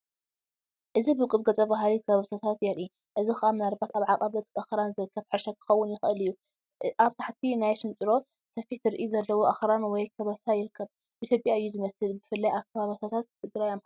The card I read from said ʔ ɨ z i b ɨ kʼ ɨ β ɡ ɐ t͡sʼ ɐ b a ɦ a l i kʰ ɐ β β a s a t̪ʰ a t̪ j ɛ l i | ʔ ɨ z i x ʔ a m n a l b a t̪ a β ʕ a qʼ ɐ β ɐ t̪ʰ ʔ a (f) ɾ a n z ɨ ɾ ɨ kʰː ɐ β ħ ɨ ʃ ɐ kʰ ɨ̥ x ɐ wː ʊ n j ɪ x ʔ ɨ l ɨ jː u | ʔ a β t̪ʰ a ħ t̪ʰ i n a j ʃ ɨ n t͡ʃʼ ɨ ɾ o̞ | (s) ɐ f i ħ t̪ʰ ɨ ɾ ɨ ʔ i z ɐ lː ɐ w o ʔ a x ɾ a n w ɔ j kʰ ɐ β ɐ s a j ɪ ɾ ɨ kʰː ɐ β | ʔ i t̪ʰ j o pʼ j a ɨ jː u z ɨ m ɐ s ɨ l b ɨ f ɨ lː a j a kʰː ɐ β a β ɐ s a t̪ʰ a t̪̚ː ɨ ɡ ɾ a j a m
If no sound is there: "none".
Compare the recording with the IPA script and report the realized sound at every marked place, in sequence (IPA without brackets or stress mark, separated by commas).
x, s